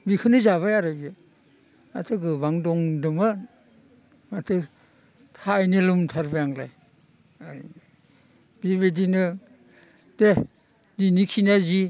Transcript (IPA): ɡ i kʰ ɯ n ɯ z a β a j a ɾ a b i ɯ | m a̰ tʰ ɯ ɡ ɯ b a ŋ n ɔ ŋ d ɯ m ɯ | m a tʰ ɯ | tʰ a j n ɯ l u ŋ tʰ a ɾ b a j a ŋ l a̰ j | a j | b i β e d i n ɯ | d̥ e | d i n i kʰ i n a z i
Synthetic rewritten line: b i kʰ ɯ n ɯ z a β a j a ɾ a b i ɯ | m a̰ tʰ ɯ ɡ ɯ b a ŋ d ɔ ŋ d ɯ m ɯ | m a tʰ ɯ | tʰ a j n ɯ l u m tʰ a ɾ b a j a ŋ l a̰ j | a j | b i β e d i n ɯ | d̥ e | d i n i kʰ i n a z i

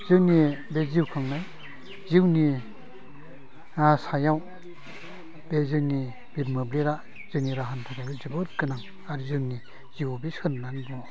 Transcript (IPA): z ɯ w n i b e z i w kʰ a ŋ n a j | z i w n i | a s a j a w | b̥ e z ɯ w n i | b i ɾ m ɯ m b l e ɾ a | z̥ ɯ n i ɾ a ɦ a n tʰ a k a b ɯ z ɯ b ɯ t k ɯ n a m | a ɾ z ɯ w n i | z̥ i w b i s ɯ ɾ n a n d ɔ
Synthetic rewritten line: z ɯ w n i b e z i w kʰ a ŋ n a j | z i w n i | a s a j a w | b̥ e z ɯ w n i | b i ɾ m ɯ b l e ɾ a | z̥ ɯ n i ɾ a ɦ a n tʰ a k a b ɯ z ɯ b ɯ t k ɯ n a ŋ | a ɾ z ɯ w n i | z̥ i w b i s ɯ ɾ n a n b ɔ

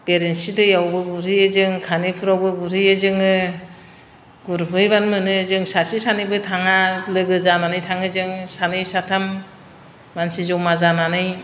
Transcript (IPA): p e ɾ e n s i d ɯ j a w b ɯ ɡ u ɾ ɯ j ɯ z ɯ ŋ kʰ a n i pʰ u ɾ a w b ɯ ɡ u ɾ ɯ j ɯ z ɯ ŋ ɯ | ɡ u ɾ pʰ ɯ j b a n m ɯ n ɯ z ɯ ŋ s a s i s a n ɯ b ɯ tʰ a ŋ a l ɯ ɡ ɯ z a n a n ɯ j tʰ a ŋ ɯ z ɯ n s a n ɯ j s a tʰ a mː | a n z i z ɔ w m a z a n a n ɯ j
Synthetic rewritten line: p e ɾ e n s i d ɯ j a w b ɯ ɡ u ɾ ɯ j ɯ z ɯ ŋ kʰ a n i pʰ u ɾ a w b ɯ ɡ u ɾ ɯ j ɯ z ɯ ŋ ɯ | ɡ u ɾ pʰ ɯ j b a n m ɯ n ɯ z ɯ ŋ s a s i s a n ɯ b ɯ tʰ a ŋ a l ɯ ɡ ɯ z a n a n ɯ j tʰ a ŋ ɯ z ɯ ŋ s a n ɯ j s a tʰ a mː | a n s i z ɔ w m a z a n a n ɯ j

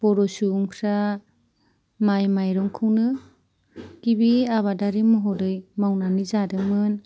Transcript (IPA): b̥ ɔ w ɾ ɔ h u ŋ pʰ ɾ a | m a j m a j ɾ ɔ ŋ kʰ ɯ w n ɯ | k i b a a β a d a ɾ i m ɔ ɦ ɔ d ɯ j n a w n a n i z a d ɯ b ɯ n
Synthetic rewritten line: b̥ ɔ ɾ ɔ s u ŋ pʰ ɾ a | m a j m a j ɾ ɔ ŋ kʰ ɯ w n ɯ | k i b i a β a d a ɾ i m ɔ ɦ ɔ d ɯ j m a w n a n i z a d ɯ m ɯ n

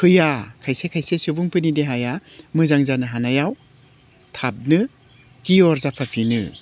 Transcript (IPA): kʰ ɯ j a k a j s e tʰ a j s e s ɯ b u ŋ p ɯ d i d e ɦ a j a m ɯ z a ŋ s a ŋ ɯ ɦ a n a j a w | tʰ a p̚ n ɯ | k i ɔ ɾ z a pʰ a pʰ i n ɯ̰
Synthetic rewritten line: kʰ ɯ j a kʰ a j s e kʰ a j s e s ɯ b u ŋ p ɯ n i d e ɦ a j a m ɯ z a ŋ z a n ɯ ɦ a n a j a w | tʰ a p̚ n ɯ | k i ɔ ɾ z a pʰ a pʰ i n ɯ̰

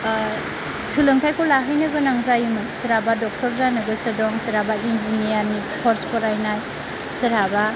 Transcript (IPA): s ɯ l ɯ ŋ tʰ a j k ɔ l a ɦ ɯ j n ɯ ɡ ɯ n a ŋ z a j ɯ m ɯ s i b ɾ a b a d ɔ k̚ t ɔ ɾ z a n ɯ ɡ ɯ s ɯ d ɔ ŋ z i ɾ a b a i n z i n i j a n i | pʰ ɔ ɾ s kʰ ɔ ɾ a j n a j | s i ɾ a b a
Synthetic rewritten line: s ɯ l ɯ ŋ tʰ a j k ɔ l a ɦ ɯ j n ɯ ɡ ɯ n a ŋ z a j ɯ m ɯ s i ɾ a b a d ɔ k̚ t ɔ ɾ z a n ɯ ɡ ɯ s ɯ d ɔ ŋ s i ɾ a b a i n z i n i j a n i | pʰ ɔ ɾ s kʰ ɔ ɾ a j n a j | s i ɾ a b a

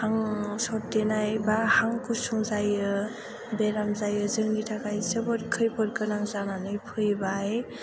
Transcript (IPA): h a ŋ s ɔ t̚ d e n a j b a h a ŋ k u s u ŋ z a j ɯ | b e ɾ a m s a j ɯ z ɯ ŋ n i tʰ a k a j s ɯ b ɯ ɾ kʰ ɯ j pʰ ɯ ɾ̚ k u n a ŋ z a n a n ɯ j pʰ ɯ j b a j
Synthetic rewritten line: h a ŋ s ɔ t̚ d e n a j b a h a ŋ k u s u ŋ z a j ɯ | b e ɾ a m z a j ɯ z ɯ ŋ n i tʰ a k a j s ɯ b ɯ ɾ kʰ ɯ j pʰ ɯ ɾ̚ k ɯ n a ŋ z a n a n ɯ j pʰ ɯ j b a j

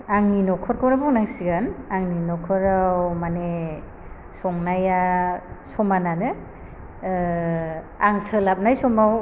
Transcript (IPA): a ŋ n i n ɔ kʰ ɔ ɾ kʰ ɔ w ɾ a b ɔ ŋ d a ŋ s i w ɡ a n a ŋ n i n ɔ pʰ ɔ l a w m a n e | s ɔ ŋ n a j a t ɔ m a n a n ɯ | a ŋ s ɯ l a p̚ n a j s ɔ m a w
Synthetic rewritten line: a ŋ n i n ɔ kʰ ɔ ɾ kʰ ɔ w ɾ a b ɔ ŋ n a ŋ s i ɡ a n a ŋ n i n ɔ kʰ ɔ ɾ a w m a n e | s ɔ ŋ n a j a s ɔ m a n a n ɯ | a ŋ s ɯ l a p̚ n a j s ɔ m a w

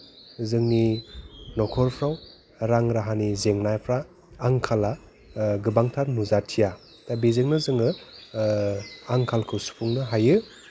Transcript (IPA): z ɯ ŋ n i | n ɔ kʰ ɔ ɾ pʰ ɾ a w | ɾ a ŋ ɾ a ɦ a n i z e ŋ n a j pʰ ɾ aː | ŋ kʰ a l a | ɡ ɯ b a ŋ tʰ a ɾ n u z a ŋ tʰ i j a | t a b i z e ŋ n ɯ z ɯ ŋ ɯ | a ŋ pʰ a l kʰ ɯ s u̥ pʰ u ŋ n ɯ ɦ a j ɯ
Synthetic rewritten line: z ɯ ŋ n i | n ɔ kʰ ɔ ɾ pʰ ɾ a w | ɾ a ŋ ɾ a ɦ a n i z e ŋ n a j pʰ ɾ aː | ŋ kʰ a l a | ɡ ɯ b a ŋ tʰ a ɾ n u z a tʰ i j a | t a b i z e ŋ n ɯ z ɯ ŋ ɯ | a ŋ kʰ a l kʰ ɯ s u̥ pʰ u ŋ n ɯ ɦ a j ɯ

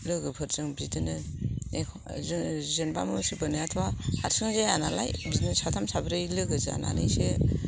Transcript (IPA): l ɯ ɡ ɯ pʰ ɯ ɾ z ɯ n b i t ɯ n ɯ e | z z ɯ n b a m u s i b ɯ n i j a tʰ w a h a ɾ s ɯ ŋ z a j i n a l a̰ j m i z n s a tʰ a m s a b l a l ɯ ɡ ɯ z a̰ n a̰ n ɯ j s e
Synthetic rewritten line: l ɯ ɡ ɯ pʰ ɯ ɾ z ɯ ŋ b i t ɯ n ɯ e | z z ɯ n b a m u s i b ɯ n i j a tʰ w a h a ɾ s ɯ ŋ z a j a n a l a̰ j b i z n s a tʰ a m s a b ɾ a l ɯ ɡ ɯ z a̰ n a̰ n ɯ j s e

